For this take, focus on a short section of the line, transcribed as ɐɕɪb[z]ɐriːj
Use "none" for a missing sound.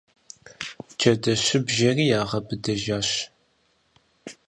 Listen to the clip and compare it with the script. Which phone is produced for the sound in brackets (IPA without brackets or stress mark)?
ʒ